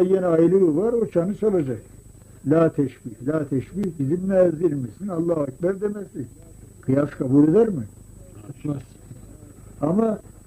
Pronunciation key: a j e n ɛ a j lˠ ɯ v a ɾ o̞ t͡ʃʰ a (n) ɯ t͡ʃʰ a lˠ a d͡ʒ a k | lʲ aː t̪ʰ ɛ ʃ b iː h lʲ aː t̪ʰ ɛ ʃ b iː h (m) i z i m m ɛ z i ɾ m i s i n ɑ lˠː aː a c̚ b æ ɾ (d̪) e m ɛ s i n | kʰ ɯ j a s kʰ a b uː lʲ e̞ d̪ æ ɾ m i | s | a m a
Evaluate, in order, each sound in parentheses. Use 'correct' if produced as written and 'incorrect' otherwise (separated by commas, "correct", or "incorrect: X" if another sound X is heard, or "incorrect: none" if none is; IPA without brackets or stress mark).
correct, incorrect: b, correct